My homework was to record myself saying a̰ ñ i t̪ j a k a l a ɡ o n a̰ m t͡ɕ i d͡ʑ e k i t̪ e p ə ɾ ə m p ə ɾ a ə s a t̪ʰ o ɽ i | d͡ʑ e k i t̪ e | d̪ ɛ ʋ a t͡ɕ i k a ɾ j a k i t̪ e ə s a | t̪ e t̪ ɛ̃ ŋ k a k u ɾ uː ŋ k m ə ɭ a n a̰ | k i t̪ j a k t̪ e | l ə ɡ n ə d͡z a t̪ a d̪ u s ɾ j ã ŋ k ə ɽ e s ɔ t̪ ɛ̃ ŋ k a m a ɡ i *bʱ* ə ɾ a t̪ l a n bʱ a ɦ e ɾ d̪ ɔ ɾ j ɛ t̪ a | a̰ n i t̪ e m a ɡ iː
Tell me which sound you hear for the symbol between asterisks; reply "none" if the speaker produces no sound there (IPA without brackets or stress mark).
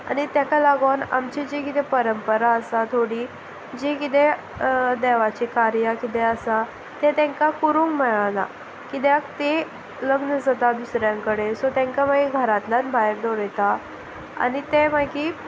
ɡʱ